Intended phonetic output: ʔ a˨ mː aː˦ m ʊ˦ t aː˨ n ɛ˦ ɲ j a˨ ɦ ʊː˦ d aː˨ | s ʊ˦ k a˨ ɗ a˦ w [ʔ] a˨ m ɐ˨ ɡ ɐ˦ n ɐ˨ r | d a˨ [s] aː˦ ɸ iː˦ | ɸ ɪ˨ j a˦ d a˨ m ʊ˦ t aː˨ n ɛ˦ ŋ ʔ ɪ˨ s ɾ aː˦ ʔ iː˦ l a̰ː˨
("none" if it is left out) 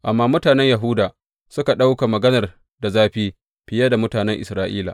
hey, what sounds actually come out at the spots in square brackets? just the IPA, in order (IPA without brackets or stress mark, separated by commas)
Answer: k, z